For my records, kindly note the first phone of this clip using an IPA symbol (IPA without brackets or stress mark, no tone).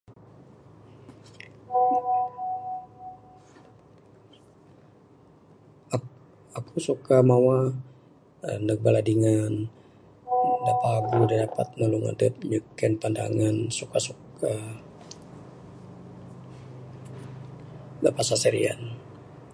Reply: a